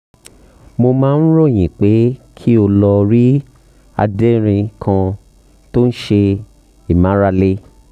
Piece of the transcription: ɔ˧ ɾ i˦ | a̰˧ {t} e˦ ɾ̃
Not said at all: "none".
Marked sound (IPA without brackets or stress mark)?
d